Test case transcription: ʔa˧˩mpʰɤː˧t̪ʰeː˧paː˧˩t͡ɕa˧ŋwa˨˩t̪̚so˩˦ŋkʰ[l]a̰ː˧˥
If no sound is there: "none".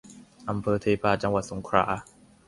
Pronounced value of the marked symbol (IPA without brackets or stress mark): ɾ